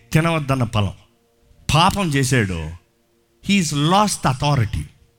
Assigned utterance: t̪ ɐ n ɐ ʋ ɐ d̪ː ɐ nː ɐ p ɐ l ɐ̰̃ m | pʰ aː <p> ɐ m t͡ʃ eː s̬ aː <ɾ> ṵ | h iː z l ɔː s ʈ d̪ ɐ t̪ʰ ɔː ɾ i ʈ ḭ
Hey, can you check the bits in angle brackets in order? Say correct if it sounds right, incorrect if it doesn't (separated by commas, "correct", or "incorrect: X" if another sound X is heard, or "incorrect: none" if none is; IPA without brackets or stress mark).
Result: correct, incorrect: ɽ